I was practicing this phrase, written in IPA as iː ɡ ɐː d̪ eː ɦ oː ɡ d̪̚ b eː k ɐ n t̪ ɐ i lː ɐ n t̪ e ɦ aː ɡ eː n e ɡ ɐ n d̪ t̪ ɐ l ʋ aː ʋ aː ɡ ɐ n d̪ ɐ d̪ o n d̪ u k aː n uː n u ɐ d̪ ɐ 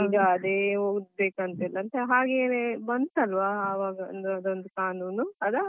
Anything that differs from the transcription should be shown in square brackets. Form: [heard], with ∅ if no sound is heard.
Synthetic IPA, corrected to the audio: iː ɡ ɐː d̪ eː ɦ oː ɡ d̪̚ b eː k ɐ n t̪ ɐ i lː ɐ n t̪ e ɦ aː ɡ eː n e [b] ɐ n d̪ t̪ ɐ l ʋ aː ʋ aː ɡ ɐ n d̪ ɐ d̪ o n d̪ u k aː n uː n u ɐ d̪ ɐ